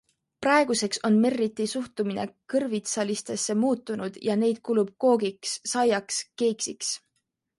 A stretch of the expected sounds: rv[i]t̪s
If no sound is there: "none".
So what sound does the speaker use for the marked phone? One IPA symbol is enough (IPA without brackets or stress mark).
i